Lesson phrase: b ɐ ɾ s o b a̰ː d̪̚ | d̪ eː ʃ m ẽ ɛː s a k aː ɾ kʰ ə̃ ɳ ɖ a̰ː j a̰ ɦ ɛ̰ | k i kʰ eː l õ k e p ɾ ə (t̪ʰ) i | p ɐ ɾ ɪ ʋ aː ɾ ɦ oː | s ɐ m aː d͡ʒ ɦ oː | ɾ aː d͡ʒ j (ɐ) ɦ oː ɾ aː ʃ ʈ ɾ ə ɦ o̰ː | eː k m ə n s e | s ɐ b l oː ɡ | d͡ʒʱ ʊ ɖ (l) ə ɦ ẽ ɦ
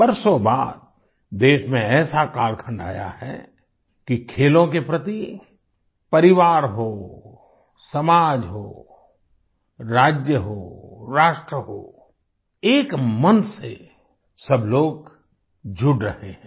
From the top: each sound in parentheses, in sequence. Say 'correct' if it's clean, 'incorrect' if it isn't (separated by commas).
incorrect, incorrect, incorrect